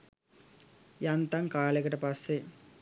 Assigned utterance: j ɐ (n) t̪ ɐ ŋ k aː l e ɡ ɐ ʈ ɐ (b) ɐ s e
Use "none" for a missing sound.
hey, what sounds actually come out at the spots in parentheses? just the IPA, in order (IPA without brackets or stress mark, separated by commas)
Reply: n, p